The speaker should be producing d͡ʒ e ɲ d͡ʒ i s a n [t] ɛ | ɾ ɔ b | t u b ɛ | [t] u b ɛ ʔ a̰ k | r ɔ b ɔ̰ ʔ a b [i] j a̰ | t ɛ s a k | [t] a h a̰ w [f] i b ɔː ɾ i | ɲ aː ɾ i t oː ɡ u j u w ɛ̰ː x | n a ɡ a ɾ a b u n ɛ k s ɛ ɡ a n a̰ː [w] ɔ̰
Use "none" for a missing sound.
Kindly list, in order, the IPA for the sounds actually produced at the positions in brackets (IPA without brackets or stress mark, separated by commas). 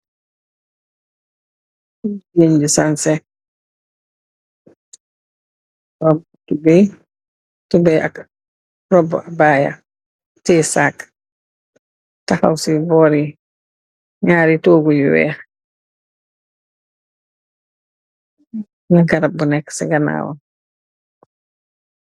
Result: s, t, a, t, s, w